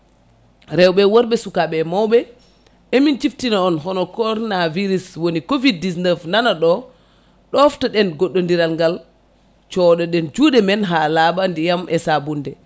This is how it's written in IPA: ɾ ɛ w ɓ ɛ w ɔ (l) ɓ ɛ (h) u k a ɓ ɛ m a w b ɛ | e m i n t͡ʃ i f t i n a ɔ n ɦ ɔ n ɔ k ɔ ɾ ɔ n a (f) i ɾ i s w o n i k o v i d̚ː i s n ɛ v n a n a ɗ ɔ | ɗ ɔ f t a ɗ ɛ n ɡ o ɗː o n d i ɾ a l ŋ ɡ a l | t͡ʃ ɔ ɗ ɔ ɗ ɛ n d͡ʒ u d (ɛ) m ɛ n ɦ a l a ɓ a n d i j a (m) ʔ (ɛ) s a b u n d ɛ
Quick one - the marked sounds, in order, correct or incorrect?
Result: incorrect, incorrect, incorrect, correct, correct, correct

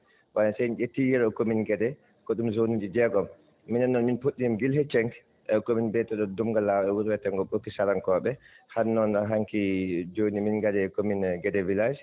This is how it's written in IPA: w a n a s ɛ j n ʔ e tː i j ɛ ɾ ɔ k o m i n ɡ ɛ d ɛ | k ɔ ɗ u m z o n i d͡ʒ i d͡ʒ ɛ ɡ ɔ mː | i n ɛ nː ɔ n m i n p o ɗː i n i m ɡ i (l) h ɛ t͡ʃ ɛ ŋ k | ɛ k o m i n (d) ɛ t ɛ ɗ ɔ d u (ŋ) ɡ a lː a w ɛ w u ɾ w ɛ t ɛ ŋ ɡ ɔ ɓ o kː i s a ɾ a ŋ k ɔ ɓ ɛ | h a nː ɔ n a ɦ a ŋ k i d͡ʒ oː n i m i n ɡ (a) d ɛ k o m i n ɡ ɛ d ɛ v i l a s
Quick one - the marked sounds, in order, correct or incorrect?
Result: correct, incorrect, incorrect, correct

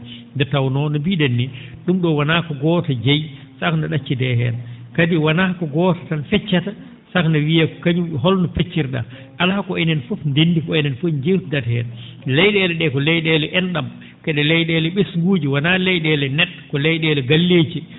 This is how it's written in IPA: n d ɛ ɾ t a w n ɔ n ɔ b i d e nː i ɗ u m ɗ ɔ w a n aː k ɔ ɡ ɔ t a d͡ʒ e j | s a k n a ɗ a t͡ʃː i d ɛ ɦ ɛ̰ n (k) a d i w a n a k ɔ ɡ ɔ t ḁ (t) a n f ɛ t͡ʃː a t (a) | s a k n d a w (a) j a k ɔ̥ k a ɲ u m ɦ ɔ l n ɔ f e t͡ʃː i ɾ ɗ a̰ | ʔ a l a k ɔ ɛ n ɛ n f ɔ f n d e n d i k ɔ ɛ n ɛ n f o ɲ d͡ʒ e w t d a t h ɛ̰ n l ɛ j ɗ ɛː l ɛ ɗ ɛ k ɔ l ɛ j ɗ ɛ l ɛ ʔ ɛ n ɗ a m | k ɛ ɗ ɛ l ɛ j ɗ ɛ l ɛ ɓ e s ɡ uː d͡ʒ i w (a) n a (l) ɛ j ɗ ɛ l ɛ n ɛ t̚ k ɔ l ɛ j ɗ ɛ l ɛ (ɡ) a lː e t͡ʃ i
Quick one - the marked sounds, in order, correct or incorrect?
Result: correct, correct, correct, incorrect, correct, correct, correct

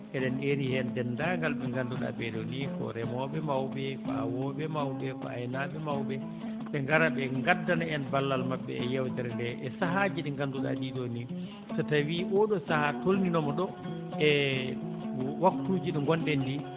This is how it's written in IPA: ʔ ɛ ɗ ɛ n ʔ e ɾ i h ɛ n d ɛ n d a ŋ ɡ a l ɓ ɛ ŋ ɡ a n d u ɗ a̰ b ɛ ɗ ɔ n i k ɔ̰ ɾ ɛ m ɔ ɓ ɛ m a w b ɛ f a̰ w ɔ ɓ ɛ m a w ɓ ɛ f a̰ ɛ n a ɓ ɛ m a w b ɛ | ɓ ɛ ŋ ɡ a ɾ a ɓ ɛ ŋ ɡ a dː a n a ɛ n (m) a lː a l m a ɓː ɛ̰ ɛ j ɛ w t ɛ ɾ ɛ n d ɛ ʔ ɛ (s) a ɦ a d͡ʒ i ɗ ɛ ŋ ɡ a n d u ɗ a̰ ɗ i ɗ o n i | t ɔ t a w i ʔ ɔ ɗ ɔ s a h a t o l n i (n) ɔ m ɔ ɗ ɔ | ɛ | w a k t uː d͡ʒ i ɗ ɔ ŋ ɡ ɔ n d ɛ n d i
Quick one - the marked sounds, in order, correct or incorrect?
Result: incorrect, correct, correct

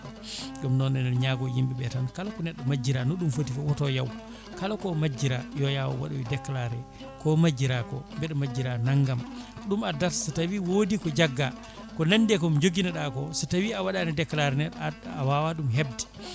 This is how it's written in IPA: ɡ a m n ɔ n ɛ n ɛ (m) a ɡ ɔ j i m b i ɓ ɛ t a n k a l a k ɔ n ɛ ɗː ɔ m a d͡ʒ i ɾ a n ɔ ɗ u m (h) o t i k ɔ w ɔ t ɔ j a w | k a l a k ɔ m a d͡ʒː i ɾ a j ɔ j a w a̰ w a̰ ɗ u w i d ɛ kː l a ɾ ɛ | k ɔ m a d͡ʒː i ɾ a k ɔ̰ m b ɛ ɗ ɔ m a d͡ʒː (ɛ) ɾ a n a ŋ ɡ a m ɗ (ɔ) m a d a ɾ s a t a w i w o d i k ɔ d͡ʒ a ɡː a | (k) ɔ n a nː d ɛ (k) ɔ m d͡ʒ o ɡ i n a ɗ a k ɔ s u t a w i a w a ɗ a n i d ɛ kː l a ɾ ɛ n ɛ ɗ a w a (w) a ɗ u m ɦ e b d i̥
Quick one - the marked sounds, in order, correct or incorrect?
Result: incorrect, incorrect, incorrect, incorrect, correct, correct, correct

